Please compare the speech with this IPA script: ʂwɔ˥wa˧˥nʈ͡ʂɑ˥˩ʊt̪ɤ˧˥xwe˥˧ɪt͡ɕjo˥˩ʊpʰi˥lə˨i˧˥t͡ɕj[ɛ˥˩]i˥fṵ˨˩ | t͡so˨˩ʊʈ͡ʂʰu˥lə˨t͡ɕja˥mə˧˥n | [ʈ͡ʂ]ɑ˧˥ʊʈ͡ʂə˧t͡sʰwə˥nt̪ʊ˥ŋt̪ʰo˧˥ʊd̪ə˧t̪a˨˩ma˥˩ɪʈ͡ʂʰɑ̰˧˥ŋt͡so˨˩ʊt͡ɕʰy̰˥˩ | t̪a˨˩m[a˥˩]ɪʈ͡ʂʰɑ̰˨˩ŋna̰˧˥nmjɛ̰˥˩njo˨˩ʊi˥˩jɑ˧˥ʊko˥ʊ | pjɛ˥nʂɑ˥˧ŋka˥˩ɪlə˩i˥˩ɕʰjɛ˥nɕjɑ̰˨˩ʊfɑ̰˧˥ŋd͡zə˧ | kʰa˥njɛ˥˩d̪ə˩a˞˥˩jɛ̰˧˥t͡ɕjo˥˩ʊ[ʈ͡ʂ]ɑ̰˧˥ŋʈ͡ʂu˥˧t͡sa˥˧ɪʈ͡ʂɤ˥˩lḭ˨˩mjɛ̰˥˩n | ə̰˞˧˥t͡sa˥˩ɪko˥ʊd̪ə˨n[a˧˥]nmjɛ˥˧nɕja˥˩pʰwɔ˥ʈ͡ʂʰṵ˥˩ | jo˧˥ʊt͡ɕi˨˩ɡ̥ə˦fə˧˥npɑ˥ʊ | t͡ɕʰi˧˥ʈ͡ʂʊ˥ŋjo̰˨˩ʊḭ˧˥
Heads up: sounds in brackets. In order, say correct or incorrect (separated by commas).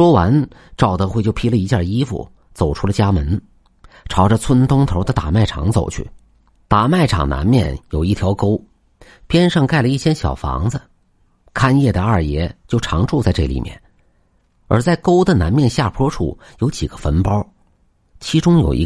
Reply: incorrect, incorrect, correct, incorrect, correct